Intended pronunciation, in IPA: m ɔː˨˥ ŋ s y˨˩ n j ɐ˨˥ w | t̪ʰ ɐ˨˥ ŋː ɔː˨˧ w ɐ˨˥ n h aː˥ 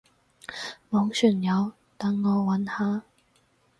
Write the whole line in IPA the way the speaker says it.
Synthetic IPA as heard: m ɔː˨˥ ŋ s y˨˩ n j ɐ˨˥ w | t̪ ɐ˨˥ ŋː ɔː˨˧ w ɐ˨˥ n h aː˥